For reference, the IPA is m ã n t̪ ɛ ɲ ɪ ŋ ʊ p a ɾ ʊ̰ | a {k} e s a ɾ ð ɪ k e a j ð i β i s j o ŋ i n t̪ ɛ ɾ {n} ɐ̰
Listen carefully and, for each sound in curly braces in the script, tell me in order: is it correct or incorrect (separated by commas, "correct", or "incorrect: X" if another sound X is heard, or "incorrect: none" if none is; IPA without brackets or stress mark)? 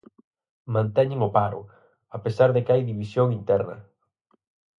incorrect: p, correct